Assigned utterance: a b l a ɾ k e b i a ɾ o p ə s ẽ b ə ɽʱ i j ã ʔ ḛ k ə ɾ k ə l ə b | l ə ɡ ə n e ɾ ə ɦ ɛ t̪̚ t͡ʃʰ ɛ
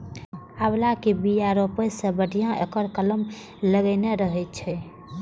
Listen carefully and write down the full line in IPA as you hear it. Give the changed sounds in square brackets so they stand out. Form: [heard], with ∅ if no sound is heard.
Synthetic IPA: a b l a [∅] k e b i a ɾ o p ə s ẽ b ə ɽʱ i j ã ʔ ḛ k ə ɾ k ə l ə [m] | l ə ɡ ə n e ɾ ə ɦ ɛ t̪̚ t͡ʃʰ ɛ